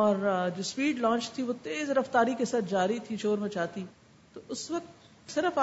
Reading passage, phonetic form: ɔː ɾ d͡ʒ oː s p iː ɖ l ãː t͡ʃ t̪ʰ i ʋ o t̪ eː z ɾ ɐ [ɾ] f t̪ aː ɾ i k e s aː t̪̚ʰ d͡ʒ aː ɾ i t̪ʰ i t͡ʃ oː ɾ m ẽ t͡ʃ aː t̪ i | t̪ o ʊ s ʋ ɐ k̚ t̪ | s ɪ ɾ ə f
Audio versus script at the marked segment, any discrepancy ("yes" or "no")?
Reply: yes